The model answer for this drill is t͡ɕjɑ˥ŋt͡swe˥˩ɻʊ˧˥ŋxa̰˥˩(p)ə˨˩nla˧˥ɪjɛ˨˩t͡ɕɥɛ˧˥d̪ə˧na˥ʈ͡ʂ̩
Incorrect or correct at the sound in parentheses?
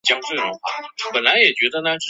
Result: correct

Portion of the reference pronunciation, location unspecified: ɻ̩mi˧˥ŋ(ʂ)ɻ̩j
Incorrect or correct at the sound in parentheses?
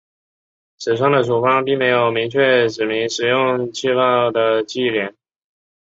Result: correct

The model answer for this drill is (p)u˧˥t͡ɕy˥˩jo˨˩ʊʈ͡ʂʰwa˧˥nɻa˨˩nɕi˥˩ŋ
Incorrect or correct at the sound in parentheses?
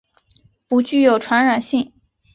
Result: correct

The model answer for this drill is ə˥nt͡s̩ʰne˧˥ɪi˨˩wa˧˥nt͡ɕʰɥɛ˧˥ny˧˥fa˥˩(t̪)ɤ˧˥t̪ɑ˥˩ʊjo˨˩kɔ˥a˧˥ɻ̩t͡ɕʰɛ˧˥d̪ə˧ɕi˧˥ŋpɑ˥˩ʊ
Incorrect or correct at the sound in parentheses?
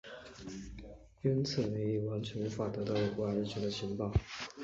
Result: correct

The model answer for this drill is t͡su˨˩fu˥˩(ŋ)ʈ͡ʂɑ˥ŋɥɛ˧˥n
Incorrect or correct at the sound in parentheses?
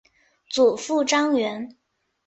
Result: incorrect: none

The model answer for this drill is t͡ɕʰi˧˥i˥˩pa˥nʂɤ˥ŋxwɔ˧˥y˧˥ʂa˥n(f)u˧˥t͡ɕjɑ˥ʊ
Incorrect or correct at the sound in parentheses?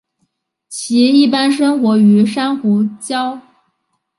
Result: incorrect: x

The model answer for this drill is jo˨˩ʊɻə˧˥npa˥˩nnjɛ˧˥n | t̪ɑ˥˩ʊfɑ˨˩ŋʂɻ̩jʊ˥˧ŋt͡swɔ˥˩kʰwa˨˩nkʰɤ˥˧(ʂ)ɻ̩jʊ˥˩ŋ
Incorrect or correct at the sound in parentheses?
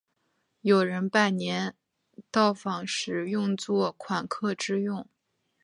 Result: incorrect: ʈ͡ʂ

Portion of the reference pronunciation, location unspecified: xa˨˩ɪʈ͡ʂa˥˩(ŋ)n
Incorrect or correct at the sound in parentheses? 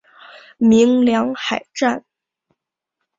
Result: incorrect: none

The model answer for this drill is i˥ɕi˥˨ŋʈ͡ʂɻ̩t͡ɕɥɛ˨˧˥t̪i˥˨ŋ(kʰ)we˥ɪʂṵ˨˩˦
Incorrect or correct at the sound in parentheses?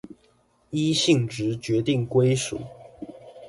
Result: incorrect: k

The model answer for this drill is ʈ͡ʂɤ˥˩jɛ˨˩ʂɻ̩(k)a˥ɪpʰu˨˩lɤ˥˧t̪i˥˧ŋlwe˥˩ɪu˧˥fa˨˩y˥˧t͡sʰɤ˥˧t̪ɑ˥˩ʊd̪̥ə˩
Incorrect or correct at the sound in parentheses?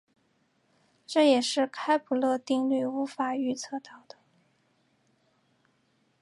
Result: incorrect: kʰ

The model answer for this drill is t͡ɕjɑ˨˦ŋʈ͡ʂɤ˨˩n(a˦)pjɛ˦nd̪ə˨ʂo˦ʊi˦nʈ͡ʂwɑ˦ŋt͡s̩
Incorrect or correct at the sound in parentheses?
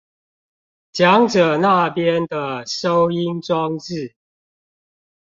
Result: incorrect: a˥˨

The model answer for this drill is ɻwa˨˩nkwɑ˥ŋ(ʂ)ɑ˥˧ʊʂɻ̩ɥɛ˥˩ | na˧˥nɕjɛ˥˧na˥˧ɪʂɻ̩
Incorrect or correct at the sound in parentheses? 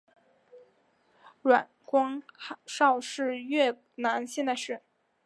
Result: correct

